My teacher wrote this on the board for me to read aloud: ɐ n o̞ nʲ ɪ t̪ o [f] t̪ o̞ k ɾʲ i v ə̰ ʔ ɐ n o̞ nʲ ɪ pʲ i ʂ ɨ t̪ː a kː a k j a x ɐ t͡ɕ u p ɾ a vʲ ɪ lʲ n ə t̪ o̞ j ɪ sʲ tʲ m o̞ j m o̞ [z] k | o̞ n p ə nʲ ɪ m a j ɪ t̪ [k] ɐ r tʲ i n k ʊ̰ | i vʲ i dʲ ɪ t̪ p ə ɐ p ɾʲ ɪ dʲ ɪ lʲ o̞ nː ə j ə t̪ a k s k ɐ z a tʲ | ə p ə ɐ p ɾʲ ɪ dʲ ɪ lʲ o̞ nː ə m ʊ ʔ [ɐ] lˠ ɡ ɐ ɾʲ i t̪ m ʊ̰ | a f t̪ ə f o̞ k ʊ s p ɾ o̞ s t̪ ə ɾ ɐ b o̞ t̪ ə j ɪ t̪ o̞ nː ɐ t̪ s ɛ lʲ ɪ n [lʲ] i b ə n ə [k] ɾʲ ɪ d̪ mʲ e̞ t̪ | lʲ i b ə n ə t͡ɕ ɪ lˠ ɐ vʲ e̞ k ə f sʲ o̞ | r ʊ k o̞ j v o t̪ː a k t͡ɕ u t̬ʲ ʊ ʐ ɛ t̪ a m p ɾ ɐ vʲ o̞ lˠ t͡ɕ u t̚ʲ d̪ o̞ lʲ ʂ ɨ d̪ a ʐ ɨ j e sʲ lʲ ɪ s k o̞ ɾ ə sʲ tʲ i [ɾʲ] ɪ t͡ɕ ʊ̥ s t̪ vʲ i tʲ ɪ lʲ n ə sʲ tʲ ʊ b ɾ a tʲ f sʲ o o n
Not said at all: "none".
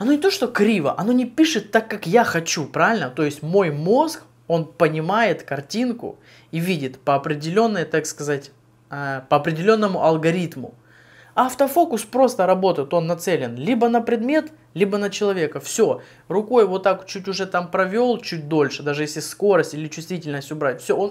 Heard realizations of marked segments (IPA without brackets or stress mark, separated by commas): ʂ, s, k, ɐ, lʲ, p, lʲ